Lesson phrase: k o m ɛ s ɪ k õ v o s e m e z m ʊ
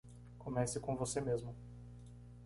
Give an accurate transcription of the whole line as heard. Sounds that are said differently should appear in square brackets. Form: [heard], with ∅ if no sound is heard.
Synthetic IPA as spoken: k o m ɛ s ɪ k õ v o s e m e z m ʊ